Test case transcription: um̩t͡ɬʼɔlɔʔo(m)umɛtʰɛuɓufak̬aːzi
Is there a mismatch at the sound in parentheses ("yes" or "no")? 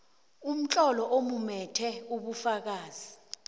no